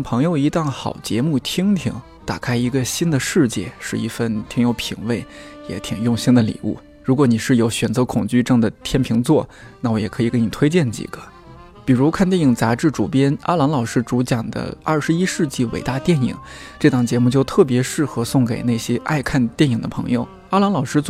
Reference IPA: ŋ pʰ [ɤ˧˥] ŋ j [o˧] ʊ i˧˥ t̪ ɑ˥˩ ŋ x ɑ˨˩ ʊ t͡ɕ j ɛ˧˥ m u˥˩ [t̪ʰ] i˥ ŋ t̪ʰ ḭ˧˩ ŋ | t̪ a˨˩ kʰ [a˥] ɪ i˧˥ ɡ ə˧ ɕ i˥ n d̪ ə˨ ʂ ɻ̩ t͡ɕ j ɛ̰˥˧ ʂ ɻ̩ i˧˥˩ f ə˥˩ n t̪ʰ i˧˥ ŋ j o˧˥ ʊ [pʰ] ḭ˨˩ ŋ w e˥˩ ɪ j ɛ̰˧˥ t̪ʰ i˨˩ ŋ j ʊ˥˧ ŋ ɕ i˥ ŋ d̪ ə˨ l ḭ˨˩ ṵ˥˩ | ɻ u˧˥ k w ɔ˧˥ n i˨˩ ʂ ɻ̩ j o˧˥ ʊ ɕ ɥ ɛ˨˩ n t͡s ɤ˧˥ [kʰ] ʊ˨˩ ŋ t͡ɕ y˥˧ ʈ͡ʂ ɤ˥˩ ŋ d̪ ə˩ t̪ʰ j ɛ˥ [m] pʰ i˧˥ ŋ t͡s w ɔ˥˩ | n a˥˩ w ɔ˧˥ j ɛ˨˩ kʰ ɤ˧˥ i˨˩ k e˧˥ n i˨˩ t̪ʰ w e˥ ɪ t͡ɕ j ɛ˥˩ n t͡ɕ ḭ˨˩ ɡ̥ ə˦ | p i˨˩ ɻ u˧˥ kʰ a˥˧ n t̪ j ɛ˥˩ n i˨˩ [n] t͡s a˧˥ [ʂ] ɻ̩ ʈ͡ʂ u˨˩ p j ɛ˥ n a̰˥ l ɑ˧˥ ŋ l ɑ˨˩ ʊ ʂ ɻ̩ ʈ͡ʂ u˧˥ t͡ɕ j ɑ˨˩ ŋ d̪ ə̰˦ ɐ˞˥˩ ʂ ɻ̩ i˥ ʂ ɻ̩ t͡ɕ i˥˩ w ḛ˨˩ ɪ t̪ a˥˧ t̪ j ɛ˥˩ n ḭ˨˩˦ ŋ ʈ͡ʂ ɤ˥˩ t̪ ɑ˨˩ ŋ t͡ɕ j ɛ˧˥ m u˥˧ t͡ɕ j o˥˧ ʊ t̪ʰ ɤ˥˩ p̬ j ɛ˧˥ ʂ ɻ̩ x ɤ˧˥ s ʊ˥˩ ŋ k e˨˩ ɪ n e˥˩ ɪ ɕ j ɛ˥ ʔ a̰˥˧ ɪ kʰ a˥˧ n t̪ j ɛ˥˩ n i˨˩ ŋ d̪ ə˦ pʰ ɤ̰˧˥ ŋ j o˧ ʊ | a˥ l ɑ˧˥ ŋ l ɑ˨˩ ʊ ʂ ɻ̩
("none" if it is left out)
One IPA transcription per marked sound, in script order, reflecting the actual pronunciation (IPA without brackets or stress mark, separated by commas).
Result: ɤ˧˥, o˧, t̪ʰ, a˥, pʰ, kʰ, n, ŋ, ʈ͡ʂ